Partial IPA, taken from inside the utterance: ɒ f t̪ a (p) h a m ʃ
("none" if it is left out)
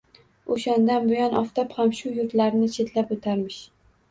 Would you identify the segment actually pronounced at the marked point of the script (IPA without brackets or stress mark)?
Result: p